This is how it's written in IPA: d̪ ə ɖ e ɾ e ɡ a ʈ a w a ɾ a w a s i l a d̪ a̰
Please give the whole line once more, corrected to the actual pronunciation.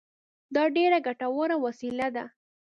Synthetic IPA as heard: d̪ ɑ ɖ e ɾ a ɡ a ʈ a w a ɾ a w a s i l a d̪ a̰